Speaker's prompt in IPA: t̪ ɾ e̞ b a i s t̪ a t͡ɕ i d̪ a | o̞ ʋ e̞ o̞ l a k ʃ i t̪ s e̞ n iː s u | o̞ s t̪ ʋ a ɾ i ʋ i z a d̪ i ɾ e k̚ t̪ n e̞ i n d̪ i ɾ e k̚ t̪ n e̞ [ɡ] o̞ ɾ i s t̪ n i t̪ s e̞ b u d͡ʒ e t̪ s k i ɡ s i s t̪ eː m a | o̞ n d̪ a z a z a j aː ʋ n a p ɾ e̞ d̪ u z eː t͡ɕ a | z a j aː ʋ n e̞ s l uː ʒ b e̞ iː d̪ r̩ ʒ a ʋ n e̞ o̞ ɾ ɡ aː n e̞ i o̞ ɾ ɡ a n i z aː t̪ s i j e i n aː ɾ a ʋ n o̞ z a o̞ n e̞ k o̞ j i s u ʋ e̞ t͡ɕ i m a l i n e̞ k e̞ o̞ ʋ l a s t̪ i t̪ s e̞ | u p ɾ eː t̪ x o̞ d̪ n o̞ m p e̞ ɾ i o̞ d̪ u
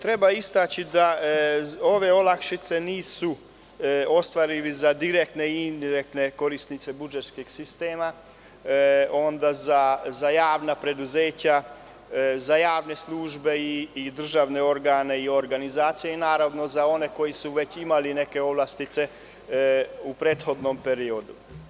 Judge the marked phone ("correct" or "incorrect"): incorrect